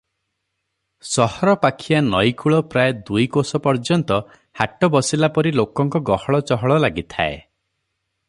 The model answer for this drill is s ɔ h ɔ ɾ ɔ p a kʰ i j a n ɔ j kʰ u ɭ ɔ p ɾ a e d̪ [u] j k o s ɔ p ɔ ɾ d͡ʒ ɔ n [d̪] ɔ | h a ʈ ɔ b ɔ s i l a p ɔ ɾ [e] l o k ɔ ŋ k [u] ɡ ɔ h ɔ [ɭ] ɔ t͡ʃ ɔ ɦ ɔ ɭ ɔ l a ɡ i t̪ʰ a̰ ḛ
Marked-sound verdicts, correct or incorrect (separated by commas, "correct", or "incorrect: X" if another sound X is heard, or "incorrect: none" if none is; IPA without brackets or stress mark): correct, incorrect: t̪, incorrect: i, incorrect: ɔ, correct